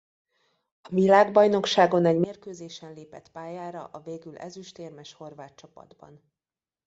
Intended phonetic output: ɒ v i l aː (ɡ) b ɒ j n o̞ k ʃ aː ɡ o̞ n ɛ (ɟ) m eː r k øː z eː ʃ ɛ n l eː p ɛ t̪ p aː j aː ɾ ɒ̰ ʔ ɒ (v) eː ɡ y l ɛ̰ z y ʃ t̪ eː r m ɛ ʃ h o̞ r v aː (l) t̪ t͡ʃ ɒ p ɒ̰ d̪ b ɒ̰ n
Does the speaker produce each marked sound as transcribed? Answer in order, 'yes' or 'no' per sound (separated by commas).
yes, yes, yes, no